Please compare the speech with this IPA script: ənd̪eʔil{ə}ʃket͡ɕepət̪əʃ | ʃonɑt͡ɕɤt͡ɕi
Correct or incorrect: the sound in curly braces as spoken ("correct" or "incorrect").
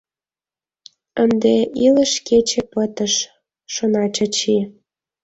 correct